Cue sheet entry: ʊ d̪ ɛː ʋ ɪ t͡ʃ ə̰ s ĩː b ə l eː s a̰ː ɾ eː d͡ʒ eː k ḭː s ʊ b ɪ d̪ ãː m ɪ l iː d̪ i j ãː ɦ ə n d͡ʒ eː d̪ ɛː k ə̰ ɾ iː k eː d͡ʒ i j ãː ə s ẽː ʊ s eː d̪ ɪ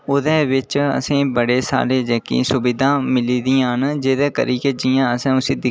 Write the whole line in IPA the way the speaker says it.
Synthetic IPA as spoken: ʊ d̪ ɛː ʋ ɪ t͡ʃ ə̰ s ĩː b ə ɽ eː s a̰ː ɾ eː d͡ʒ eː k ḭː s ʊ b ɪ d̪ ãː m ɪ l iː d̪ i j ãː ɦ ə n d͡ʒ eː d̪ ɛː k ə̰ ɾ iː k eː d͡ʒ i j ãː ə s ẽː ʊ s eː d̪ ɪ